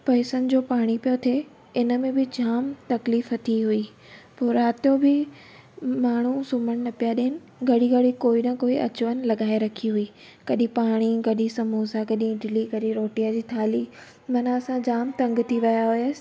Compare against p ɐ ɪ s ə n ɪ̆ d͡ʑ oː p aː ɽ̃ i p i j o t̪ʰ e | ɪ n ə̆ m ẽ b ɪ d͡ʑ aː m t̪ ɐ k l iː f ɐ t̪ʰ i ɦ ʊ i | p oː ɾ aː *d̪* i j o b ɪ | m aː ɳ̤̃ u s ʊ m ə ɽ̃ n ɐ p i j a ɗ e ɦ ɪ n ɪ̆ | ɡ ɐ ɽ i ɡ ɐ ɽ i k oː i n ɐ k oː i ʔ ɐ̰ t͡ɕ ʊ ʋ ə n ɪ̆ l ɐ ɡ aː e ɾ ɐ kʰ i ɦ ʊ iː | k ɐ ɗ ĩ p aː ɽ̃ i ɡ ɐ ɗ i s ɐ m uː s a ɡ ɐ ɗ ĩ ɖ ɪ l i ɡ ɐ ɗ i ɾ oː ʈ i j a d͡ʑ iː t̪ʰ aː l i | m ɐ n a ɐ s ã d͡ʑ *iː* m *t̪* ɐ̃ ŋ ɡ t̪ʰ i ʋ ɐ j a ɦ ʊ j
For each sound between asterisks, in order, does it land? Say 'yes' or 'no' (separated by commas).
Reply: no, no, yes